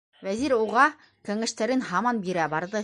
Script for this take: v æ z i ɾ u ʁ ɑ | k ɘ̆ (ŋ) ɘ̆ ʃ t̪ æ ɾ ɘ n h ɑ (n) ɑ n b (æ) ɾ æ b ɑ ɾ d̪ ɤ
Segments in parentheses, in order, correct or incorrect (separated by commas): correct, incorrect, incorrect